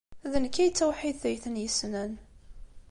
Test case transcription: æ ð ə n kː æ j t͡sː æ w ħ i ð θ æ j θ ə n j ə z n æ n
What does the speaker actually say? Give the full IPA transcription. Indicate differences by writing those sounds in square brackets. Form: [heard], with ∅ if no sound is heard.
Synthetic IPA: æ ð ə n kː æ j t͡sː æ w ħ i ð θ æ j θ ə n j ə [s] n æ n